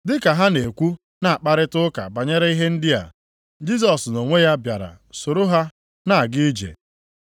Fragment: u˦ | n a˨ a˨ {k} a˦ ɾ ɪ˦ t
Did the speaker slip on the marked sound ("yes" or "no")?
yes